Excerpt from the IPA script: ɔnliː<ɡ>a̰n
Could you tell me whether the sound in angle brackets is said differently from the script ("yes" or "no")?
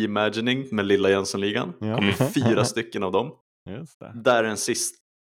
no